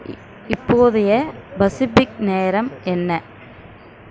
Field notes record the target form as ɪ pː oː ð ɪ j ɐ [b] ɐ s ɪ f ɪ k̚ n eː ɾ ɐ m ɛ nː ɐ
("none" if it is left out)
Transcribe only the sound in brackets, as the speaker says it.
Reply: b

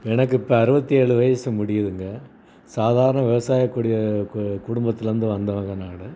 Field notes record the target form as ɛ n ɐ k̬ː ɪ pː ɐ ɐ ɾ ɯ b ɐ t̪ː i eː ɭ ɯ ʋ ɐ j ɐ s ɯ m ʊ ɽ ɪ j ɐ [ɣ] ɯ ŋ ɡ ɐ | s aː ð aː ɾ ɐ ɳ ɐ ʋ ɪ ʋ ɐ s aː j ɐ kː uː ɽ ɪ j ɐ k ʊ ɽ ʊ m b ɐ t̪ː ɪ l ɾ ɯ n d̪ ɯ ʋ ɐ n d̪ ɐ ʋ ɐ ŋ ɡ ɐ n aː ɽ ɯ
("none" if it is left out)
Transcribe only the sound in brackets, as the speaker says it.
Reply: ð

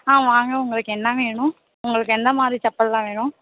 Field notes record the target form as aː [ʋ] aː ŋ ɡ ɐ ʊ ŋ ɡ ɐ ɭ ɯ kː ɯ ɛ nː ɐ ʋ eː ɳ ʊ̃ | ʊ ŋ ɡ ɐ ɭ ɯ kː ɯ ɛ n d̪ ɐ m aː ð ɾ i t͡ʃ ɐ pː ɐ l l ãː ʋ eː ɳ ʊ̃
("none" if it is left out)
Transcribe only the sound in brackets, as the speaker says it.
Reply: ʋ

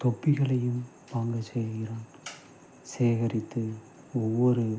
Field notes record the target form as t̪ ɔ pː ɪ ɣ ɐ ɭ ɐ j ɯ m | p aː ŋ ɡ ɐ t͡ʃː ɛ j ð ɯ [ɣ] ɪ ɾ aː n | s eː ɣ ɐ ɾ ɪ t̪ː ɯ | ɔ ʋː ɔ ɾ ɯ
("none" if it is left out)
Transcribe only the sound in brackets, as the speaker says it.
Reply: ɣ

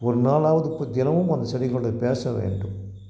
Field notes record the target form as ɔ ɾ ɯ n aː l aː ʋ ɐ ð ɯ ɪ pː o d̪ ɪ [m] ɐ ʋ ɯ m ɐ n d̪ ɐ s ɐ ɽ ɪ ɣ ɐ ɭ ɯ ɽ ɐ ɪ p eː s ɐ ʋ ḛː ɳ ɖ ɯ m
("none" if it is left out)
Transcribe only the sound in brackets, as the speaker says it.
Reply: n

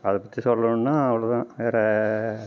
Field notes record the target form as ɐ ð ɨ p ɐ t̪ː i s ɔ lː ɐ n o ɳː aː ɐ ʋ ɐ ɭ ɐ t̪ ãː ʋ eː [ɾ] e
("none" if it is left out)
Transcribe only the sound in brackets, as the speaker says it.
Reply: ɾ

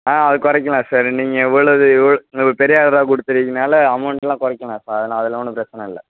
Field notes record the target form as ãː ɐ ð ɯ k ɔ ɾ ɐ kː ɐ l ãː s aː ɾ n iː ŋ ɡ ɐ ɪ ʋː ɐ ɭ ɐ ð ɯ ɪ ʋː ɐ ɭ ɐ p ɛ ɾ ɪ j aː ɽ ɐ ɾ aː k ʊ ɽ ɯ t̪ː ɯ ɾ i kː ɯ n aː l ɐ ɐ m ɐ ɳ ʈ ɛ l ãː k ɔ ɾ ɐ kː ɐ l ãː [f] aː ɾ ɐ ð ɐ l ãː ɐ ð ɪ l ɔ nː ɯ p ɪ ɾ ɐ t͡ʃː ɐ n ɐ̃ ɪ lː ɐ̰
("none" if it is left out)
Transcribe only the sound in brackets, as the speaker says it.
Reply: s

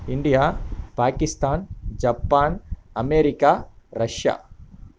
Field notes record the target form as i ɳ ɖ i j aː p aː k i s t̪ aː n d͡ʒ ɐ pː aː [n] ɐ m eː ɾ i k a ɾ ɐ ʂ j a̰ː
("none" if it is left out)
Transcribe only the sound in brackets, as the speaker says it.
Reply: n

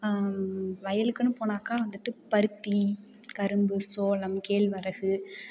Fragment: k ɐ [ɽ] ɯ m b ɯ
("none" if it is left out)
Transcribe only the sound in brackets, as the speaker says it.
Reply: ɾ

